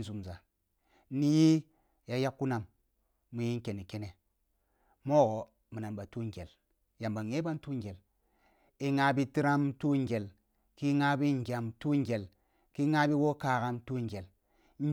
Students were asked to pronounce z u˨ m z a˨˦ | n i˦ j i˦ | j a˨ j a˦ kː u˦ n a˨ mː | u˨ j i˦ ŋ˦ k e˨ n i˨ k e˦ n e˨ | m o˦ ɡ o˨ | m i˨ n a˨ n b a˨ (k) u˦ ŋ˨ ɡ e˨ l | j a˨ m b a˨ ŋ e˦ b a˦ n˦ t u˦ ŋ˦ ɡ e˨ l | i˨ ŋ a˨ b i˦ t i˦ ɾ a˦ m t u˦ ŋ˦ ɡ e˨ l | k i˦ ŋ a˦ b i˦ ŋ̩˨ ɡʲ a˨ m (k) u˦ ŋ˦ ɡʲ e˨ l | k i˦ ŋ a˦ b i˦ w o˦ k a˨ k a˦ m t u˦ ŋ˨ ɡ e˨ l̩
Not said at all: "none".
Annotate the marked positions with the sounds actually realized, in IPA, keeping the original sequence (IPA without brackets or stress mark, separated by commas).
t, t